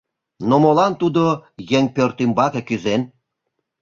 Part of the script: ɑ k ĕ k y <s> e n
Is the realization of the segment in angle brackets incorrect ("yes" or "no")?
yes